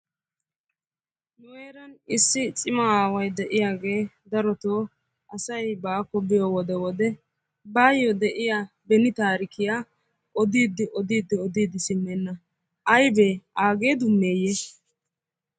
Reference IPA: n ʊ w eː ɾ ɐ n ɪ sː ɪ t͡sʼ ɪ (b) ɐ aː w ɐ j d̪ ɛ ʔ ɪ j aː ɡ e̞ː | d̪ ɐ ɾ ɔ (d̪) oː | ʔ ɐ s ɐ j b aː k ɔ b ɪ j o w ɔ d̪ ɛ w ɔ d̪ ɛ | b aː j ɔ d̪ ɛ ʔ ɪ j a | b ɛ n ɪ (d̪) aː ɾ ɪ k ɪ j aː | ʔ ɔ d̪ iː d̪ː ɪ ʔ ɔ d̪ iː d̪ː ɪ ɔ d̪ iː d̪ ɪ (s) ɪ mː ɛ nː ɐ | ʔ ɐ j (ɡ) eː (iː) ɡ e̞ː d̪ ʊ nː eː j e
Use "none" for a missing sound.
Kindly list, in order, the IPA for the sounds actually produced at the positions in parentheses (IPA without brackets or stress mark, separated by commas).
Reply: m, t̪, t̪, s, b, aː